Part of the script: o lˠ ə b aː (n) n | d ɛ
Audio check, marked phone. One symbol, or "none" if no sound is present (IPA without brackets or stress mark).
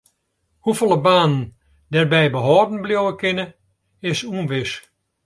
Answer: n